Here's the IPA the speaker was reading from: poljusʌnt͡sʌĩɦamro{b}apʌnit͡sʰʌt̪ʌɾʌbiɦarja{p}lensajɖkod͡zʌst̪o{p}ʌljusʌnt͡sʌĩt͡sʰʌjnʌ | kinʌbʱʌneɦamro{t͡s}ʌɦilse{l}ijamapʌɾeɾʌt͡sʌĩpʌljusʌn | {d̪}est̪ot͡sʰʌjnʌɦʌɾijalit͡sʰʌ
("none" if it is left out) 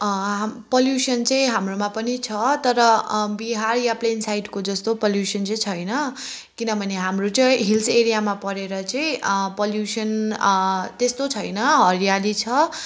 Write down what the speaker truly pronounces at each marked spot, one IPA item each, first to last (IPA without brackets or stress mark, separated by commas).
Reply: m, p, p, t͡s, ɾ, t̪